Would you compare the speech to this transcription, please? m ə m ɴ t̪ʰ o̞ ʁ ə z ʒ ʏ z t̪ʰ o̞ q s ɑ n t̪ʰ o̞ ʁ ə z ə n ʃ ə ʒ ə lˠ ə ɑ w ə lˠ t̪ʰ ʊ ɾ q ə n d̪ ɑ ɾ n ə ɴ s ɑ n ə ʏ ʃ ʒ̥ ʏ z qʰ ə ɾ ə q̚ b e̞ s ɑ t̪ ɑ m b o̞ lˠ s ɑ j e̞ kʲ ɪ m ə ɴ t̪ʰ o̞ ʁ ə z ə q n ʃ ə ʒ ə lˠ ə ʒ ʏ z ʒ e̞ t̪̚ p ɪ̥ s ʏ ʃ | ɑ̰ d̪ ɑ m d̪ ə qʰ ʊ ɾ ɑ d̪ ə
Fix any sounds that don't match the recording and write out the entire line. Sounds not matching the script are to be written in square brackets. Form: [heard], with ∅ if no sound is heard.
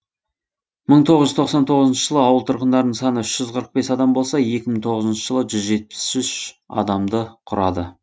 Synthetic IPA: m ə [∅] ɴ t̪ʰ o̞ ʁ ə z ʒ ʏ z t̪ʰ o̞ q s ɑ n t̪ʰ o̞ ʁ ə z ə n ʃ ə ʒ ə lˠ ə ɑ w ə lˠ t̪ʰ ʊ ɾ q ə n d̪ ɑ ɾ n ə ɴ s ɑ n ə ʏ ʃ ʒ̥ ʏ z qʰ ə ɾ ə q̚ b e̞ s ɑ [d̪] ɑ m b o̞ lˠ s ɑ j e̞ kʲ ɪ m ə ɴ t̪ʰ o̞ ʁ ə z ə [∅] n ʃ ə ʒ ə lˠ ə ʒ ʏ z ʒ e̞ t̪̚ p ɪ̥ s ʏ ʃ | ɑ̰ d̪ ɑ m d̪ ə qʰ ʊ ɾ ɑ d̪ ə